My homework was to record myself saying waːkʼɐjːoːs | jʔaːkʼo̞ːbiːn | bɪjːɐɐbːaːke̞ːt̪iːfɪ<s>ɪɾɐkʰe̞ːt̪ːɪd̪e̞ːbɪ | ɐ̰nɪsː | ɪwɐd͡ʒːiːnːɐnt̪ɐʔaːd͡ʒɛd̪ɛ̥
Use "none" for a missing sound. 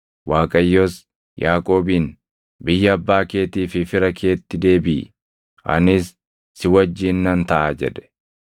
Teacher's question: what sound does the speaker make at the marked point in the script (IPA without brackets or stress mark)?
f